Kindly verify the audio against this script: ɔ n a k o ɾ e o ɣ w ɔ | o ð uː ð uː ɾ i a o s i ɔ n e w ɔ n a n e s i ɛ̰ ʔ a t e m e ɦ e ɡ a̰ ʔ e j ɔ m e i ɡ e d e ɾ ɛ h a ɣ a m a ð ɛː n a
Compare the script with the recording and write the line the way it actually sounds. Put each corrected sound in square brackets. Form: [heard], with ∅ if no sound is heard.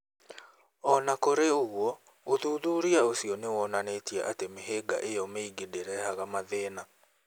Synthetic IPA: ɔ n a k o ɾ e o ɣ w ɔ | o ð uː ð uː ɾ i a o s i ɔ n e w ɔ n a n e [t] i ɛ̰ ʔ a t e m e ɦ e ɡ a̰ ʔ e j ɔ m e i ɡ e d e ɾ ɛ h a ɣ a m a ð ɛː n a